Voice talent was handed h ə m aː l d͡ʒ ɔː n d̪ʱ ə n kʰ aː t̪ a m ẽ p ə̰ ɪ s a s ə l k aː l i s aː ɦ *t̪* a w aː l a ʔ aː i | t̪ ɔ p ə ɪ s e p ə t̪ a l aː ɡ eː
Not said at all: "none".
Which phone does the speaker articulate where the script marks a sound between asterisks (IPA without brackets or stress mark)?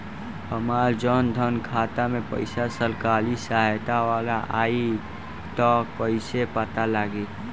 t̪